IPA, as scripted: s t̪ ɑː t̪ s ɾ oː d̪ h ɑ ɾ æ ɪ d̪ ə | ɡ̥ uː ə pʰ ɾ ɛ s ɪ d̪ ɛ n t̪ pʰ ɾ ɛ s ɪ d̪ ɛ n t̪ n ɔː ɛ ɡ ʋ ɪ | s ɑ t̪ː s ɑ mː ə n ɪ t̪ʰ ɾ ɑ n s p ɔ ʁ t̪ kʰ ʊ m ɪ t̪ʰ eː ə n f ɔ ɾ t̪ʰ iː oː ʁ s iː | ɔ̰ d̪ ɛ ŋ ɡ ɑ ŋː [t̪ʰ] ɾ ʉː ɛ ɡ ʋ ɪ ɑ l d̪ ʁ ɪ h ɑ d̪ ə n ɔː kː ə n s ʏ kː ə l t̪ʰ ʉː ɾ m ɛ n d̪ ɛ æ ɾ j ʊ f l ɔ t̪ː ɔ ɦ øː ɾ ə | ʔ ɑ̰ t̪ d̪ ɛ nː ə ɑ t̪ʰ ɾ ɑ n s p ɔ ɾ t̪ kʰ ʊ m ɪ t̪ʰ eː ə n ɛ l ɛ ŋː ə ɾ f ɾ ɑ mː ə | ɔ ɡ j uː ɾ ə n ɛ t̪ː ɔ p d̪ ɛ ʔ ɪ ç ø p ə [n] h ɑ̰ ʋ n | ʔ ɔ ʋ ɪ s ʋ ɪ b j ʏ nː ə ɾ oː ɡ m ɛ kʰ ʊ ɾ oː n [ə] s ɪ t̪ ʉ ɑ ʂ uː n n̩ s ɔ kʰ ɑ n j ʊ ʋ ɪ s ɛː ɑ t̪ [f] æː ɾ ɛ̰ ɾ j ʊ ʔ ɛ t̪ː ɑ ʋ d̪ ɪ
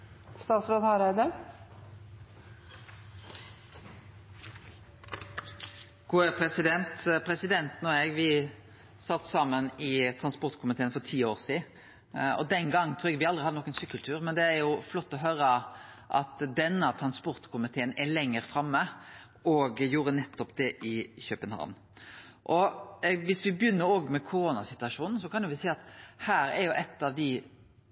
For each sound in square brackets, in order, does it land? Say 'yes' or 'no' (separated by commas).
yes, yes, no, no